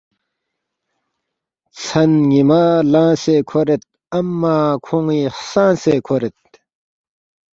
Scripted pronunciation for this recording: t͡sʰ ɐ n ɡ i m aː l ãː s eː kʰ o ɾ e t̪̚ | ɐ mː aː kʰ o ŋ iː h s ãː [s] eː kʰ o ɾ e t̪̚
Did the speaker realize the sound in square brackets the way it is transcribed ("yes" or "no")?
yes